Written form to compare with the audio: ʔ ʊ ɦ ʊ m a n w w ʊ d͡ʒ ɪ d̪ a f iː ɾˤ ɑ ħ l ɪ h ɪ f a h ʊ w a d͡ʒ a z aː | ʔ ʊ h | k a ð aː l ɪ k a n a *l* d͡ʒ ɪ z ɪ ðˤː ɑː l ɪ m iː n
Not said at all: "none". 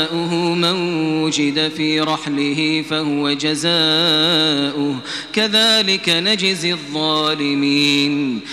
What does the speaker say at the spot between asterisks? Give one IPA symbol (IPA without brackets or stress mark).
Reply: none